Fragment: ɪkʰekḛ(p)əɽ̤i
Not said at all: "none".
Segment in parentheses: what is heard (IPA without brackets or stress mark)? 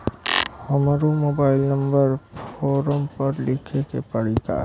p